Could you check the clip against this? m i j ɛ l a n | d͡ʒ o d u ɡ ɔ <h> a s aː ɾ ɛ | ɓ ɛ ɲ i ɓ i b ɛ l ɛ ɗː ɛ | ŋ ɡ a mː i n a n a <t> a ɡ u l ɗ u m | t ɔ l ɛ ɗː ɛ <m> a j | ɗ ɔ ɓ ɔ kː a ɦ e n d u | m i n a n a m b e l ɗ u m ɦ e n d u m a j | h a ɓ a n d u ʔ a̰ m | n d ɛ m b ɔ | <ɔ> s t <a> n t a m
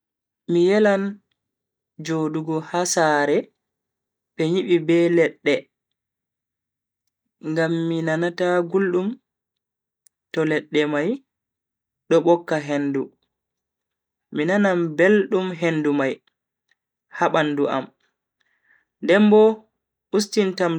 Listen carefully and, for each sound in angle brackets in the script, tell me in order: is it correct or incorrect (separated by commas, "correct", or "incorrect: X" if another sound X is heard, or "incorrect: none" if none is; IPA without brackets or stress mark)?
correct, correct, correct, incorrect: u, incorrect: i